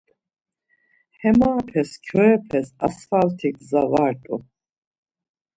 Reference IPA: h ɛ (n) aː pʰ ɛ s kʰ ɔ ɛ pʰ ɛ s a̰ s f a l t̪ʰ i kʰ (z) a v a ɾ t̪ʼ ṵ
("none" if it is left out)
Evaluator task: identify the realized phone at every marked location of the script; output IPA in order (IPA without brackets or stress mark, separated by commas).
m, z